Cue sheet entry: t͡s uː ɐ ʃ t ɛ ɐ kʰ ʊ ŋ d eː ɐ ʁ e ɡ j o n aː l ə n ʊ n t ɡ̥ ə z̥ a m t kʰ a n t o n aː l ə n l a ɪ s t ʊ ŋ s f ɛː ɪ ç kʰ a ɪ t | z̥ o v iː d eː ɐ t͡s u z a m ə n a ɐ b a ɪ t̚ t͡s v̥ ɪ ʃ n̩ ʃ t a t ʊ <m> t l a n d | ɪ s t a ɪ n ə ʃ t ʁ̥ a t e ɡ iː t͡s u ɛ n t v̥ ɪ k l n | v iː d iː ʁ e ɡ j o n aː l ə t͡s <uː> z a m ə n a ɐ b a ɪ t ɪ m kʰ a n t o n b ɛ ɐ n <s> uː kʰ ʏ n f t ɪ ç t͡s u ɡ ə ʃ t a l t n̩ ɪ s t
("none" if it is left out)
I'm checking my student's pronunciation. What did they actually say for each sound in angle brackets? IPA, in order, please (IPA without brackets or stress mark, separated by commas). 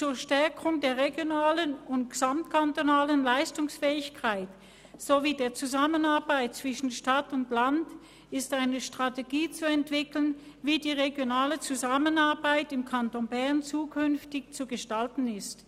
n, u, t͡s